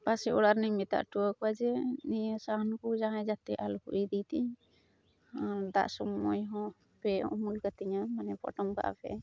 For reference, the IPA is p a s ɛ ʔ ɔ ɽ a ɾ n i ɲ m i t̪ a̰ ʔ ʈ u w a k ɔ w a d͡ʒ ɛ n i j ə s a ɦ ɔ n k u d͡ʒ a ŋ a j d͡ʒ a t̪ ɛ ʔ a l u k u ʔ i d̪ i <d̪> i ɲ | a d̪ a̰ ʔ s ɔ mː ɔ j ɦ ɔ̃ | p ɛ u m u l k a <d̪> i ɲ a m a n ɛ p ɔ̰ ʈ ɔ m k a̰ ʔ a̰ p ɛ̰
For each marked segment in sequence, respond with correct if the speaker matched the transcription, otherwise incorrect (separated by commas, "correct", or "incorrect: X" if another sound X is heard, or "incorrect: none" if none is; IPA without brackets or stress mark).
incorrect: t̪, incorrect: t̪